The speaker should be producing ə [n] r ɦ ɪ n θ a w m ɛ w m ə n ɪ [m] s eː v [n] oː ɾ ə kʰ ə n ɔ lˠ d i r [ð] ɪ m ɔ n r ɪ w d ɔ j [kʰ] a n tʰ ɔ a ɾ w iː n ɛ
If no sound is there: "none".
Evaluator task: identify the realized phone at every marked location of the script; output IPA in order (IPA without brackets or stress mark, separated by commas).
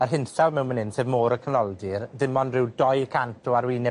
none, n, m, ð, kʰ